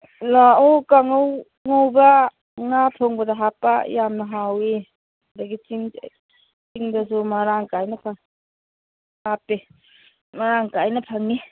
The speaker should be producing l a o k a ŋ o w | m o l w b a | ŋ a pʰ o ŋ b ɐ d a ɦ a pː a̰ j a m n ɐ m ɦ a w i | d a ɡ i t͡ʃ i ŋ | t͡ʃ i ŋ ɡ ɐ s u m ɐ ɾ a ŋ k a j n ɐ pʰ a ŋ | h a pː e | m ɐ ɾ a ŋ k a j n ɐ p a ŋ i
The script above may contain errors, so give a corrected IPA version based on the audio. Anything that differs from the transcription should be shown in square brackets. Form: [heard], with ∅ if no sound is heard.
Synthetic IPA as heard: l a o k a ŋ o w | [ŋ] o [∅] w b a | ŋ a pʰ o ŋ b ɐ d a ɦ a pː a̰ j a m n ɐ [∅] ɦ a w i | d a ɡ i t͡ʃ i ŋ | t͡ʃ i ŋ [d] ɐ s u m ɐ ɾ a ŋ k a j n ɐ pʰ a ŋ | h a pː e | m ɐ ɾ a ŋ k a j n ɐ [pʰ] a ŋ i